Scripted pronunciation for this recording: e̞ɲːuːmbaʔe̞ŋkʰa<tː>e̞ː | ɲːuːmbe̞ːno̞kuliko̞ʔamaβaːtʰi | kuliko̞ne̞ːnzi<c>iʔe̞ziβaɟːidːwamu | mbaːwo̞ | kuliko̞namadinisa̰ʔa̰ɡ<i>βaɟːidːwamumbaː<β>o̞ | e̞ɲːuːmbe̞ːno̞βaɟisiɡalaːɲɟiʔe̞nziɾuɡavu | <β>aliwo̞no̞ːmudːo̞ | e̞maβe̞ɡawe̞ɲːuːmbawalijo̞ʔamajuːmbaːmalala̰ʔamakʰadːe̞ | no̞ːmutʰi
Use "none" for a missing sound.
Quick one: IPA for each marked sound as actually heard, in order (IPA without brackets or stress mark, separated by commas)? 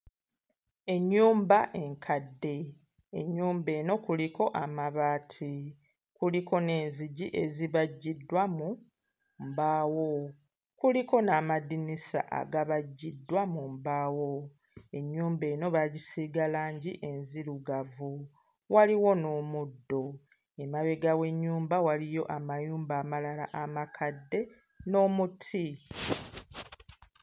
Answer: dː, ɟ, a, w, w